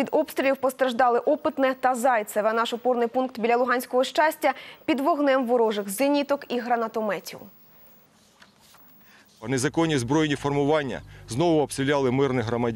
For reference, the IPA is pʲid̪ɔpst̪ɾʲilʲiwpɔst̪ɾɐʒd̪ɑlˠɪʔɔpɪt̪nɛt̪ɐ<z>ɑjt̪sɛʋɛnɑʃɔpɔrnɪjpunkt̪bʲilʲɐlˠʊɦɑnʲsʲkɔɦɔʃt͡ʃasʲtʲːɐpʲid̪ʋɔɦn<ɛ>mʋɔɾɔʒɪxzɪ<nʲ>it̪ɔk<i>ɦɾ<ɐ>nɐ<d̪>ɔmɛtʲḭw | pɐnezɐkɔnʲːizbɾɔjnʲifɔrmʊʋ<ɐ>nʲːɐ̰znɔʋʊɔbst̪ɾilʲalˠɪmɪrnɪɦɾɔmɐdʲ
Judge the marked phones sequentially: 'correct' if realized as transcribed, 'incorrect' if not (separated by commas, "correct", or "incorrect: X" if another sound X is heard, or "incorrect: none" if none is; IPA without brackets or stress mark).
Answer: correct, correct, correct, correct, correct, incorrect: t̪, incorrect: ɑ